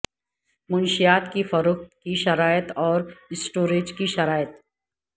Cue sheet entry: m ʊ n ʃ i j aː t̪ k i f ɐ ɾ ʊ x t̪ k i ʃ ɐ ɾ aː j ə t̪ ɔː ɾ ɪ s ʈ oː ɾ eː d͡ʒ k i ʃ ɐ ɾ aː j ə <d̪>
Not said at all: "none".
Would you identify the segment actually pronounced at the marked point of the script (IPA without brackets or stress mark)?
t̪